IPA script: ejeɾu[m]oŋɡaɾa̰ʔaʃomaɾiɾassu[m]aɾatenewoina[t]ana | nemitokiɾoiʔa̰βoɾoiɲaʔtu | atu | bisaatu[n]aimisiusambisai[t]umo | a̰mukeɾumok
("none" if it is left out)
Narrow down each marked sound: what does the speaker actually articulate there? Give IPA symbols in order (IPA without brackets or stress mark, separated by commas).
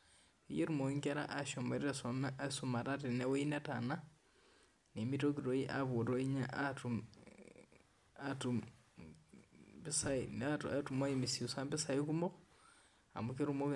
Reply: m, m, t, m, k